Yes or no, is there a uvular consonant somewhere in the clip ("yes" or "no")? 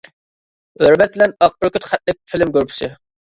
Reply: yes